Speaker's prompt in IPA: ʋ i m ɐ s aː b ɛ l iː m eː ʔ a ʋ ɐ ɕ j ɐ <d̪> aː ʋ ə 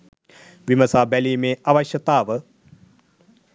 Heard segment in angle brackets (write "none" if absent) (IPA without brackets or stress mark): t̪